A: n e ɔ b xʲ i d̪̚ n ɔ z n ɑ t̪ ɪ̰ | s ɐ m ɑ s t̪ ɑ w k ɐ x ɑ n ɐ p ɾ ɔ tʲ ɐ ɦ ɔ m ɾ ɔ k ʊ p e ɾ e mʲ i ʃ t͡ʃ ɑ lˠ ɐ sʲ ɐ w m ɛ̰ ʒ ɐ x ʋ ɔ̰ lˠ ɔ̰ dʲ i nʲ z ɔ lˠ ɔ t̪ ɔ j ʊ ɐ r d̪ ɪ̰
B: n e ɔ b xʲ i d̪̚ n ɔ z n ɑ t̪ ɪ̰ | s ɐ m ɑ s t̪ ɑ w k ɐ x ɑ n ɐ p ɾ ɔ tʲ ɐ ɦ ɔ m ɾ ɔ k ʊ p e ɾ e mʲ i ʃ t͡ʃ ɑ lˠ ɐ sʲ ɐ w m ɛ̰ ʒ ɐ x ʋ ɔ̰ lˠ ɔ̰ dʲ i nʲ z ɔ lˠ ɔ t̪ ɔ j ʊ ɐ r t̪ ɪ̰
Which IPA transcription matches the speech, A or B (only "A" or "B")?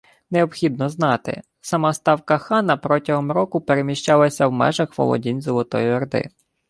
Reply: A